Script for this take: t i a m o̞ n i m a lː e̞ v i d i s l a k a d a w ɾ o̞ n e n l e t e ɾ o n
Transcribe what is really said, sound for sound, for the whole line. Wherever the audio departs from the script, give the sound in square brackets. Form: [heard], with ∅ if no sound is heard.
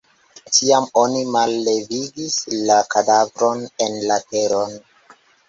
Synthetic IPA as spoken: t i a m o̞ n i m a lː e̞ v i [ɡ] i s l a k a d a [v] ɾ o̞ n e n l [a] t e ɾ o n